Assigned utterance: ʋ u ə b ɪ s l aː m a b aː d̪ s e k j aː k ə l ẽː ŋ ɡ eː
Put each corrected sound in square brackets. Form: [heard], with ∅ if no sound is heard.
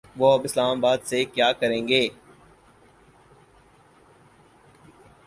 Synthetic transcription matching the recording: ʋ [o] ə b ɪ s l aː m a b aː d̪ s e k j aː k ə [ɾ] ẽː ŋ ɡ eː